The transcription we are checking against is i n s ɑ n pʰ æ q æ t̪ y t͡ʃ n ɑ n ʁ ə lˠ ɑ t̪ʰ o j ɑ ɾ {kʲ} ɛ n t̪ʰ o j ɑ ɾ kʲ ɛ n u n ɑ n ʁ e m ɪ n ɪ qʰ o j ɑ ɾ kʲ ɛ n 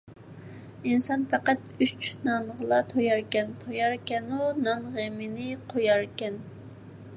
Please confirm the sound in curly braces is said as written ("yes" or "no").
yes